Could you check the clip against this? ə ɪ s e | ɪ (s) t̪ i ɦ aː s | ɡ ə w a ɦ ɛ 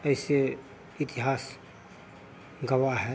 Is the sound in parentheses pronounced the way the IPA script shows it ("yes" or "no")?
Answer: no